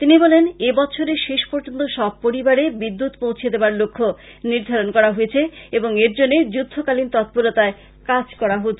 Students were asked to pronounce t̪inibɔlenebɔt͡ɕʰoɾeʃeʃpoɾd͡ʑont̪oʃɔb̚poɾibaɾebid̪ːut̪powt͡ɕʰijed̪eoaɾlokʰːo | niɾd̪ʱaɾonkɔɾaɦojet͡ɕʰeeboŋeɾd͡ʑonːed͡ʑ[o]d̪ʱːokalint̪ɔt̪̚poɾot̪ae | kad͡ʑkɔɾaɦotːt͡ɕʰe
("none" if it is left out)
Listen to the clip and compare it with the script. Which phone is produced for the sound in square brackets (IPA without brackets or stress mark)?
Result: u